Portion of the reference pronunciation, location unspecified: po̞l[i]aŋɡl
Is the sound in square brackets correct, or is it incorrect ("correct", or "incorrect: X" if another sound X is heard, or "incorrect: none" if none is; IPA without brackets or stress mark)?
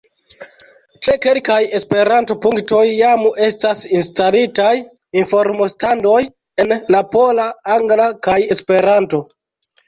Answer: incorrect: a